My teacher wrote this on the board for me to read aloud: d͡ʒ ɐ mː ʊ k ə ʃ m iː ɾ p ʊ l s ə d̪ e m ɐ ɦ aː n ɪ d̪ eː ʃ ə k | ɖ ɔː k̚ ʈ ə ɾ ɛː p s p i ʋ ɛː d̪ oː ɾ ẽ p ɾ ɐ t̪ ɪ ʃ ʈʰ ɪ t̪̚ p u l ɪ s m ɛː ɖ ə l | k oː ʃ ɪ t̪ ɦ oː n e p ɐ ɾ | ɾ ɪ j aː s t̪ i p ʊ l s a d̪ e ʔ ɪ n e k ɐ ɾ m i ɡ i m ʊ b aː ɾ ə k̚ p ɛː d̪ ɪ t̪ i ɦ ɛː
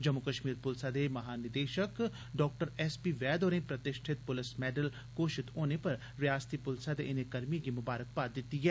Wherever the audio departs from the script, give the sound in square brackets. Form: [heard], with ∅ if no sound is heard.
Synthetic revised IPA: d͡ʒ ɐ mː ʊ k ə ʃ m iː ɾ p ʊ l s [a] d̪ e m ɐ ɦ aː n ɪ d̪ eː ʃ ə k | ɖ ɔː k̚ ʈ ə ɾ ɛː [∅] s p i ʋ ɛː d̪ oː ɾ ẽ p ɾ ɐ t̪ ɪ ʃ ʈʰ ɪ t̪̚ p [ʊ] l ɪ s m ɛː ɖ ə l | k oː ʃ ɪ t̪ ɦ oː n e p ɐ ɾ | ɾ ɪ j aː s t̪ i p ʊ l s a d̪ e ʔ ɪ n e k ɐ ɾ m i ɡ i m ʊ b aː ɾ ə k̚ p [aː] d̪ ɪ t̪ i ɦ ɛː